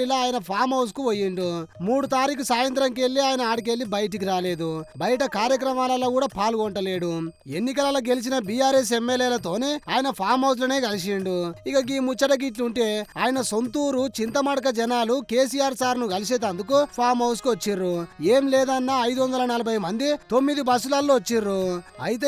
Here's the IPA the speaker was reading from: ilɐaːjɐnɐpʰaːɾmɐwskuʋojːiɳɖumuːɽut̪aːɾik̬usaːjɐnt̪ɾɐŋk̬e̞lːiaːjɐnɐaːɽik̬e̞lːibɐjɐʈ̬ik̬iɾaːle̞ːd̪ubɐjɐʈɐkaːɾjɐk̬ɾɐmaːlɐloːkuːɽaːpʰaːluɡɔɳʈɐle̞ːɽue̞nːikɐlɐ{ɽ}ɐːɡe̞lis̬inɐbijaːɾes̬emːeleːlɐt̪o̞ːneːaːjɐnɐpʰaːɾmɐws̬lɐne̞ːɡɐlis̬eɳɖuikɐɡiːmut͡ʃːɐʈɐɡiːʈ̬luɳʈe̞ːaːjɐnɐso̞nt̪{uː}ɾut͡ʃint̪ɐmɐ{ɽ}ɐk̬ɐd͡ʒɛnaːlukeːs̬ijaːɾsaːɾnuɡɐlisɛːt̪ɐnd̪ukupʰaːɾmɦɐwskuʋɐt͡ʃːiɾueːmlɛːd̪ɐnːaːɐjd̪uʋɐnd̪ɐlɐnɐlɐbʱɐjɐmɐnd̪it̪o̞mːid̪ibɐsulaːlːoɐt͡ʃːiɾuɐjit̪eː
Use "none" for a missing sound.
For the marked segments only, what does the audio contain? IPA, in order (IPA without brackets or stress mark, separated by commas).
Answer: l, uː, ɽ